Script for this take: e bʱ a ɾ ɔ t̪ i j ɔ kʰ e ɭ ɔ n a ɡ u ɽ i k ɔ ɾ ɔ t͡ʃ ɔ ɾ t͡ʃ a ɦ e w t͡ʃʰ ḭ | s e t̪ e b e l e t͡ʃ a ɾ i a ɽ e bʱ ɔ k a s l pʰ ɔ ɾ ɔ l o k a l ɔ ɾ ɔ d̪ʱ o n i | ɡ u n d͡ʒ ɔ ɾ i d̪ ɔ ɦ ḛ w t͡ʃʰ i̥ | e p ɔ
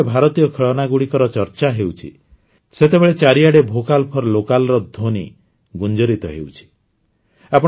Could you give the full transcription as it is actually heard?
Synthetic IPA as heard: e bʱ a ɾ ɔ t̪ i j ɔ kʰ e ɭ ɔ n a ɡ u ɽ i k ɔ ɾ ɔ t͡ʃ ɔ ɾ t͡ʃ a ɦ e w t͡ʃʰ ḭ | s e t̪ e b e ɭ e t͡ʃ a ɾ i a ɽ e bʱ o k a l pʰ ɔ ɾ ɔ l o k a l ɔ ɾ ɔ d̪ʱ o n i | ɡ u n d͡ʒ ɔ ɾ i t̪ ɔ ɦ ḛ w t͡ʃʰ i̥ | a p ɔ